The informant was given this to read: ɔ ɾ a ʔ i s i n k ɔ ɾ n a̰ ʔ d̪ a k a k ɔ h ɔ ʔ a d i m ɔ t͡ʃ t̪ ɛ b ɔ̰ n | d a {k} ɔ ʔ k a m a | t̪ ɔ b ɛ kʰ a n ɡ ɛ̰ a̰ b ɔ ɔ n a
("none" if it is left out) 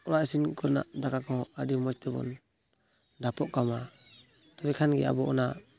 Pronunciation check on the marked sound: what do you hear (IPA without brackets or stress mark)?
p